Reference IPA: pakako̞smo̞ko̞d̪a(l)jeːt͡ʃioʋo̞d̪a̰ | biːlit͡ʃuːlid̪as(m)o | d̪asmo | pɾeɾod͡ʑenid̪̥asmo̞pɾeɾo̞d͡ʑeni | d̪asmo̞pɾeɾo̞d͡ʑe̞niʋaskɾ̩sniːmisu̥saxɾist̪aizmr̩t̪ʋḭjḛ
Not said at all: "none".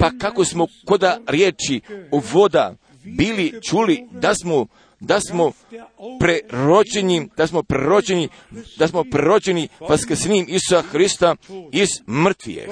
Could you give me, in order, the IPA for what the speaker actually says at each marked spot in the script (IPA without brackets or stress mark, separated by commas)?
ɾ, m